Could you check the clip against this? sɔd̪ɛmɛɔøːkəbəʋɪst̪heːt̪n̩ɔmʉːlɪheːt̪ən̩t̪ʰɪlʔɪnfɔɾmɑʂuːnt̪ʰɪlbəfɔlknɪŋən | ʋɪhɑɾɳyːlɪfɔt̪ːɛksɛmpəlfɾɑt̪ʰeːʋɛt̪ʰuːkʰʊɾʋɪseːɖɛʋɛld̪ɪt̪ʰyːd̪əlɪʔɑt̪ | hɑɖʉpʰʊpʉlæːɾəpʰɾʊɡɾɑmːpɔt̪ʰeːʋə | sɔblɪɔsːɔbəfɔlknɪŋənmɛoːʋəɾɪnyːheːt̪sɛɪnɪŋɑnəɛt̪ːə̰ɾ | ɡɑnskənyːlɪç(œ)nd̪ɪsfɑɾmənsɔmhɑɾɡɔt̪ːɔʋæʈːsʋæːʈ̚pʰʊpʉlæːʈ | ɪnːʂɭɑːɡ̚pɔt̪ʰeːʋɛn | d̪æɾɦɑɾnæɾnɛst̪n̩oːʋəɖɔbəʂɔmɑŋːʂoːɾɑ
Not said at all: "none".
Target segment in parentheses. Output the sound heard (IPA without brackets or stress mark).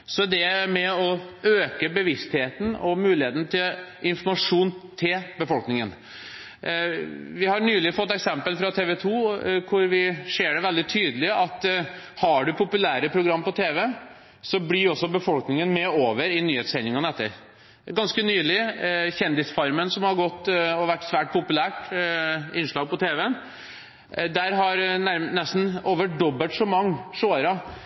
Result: ɛ